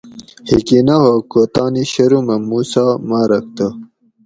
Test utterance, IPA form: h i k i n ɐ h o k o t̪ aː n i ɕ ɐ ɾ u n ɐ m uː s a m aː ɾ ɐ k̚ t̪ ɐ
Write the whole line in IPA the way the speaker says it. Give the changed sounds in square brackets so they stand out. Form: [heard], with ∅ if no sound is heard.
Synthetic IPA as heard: h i k i n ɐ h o k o t̪ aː n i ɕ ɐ ɾ u [m] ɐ m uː s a m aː ɾ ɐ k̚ t̪ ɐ